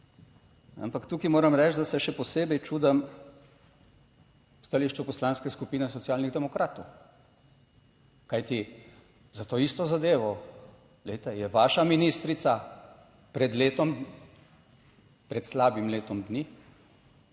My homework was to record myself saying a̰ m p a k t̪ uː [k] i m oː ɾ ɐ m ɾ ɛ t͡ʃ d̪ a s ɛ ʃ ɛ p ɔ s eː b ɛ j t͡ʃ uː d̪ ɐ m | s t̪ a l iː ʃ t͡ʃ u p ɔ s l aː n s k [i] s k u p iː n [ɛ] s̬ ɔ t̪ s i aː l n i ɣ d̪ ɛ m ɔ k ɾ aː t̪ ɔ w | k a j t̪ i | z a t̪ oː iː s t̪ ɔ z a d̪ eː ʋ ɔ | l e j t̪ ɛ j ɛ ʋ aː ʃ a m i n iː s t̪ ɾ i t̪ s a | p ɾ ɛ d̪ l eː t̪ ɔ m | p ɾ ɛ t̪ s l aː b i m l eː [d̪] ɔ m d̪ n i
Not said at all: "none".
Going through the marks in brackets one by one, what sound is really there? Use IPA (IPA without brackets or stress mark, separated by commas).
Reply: k, ɛ, ɛ, t̪